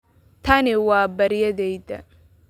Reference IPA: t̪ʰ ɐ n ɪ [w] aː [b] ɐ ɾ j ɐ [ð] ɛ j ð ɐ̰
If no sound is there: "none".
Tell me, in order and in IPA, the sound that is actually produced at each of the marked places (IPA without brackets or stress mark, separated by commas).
w, b, ð